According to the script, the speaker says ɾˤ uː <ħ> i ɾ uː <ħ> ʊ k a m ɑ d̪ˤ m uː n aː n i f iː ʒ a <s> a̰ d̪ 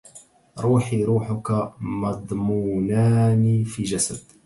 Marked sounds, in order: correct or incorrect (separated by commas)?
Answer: correct, correct, correct